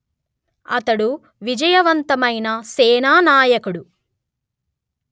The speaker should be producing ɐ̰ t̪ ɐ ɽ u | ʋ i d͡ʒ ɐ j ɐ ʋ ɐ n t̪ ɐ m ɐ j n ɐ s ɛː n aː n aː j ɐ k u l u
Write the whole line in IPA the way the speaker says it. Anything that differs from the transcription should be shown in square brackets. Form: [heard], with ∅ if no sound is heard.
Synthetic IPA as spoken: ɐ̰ t̪ ɐ ɽ u | ʋ i d͡ʒ ɐ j ɐ ʋ ɐ n t̪ ɐ m ɐ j n ɐ s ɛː n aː n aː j ɐ k u [ɽ] u